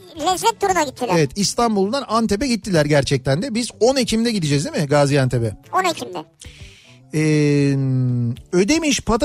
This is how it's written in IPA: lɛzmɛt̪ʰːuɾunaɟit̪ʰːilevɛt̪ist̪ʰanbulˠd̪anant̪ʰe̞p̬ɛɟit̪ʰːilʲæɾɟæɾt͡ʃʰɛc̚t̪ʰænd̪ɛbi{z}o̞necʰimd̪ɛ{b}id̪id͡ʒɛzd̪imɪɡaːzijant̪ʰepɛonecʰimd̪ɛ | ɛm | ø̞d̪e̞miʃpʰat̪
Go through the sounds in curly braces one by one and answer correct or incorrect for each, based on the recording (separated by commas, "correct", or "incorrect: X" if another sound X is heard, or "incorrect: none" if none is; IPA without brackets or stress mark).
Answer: correct, incorrect: ɟ